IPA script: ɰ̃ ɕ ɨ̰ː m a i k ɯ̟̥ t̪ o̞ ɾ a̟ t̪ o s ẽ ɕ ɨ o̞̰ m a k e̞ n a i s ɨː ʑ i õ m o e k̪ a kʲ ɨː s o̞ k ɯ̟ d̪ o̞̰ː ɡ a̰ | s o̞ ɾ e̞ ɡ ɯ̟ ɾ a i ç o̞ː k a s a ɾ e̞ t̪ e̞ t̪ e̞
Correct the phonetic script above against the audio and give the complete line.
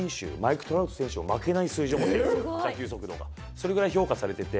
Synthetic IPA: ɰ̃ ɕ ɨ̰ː m a i k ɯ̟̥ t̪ o̞ ɾ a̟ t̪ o s ẽ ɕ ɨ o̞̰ m a k e̞ n a i s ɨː ʑ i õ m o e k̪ a kʲ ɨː s o̞ k ɯ̟ d̪ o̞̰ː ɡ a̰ | s o̞ ɾ e̞ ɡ ɯ̟ ɾ a i ç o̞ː k a s a ɾ e̞ t̪ e̞ t̪ e̞

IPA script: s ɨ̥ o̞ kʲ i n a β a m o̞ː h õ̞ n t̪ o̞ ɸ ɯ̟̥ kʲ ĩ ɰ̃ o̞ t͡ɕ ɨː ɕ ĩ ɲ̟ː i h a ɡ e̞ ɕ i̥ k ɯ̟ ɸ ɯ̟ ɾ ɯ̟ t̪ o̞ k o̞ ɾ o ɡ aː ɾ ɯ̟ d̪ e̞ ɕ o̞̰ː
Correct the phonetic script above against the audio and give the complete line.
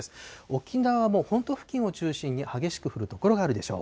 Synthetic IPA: s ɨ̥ o̞ kʲ i n a β a m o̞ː h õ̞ n t̪ o̞ ɸ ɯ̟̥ kʲ ĩ ɰ̃ o̞ t͡ɕ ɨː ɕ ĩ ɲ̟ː i h a ɡ e̞ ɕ i̥ k ɯ̟ ɸ ɯ̟ ɾ ɯ̟ t̪ o̞ k o̞ ɾ o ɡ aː ɾ ɯ̟ d̪ e̞ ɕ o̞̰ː

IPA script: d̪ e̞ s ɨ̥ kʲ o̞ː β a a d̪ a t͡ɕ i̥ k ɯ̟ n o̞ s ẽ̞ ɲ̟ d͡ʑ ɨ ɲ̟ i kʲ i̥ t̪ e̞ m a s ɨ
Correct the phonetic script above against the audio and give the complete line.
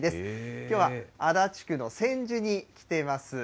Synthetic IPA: d̪ e̞ s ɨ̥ kʲ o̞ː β a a d̪ a t͡ɕ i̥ k ɯ̟ n o̞ s ẽ̞ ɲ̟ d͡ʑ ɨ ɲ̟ i kʲ i̥ t̪ e̞ m a s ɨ

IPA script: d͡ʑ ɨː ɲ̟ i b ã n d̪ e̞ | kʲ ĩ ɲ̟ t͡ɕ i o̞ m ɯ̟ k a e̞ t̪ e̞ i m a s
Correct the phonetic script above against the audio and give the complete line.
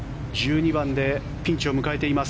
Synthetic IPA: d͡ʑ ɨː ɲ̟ i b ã n d̪ e̞ | pʲ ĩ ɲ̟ t͡ɕ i o̞ m ɯ̟ k a e̞ t̪ e̞ i m a s

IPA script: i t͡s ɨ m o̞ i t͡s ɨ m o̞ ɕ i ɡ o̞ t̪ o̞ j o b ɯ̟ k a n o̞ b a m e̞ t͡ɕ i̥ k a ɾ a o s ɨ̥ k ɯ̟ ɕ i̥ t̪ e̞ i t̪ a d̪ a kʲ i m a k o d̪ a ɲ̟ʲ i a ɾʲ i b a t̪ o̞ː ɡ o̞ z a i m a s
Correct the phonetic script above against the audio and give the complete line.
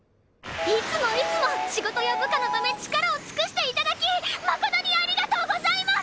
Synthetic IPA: i t͡s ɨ m o̞ i t͡s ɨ m o̞ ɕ i ɡ o̞ t̪ o̞ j o b ɯ̟ k a n o̞ b a m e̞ t͡ɕ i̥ k a ɾ a o t͡s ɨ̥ k ɯ̟ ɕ i̥ t̪ e̞ i t̪ a d̪ a kʲ i m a k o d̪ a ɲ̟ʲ i a ɾʲ i ɡ a t̪ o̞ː ɡ o̞ z a i m a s

